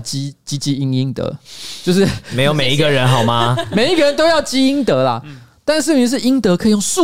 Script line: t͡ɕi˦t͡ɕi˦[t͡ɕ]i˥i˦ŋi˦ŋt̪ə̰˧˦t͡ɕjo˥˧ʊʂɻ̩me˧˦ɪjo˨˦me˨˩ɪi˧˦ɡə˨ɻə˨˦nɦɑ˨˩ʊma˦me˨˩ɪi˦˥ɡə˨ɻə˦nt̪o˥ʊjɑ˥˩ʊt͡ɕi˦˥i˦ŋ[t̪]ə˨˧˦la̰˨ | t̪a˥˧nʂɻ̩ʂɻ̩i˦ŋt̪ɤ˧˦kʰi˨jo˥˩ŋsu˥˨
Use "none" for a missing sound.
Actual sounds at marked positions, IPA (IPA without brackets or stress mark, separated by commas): t͡ɕ, t̪